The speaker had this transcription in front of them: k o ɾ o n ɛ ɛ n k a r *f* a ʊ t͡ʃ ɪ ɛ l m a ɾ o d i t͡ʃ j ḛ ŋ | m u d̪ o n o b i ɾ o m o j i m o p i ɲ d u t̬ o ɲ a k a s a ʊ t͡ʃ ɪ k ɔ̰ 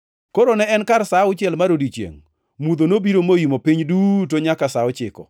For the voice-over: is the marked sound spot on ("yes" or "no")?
no